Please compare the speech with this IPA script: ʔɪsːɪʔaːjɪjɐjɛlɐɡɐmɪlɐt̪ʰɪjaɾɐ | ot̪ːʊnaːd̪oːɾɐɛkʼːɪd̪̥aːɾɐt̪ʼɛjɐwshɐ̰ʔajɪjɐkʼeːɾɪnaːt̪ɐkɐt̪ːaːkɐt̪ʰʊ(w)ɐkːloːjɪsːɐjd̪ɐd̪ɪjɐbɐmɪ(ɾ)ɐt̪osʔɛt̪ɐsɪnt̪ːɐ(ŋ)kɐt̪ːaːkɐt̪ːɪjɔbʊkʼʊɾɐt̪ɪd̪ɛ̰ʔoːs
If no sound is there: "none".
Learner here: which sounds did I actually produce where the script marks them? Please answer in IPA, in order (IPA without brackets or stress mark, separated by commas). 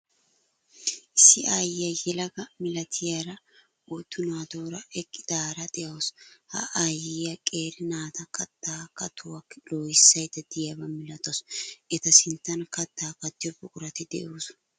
w, l, n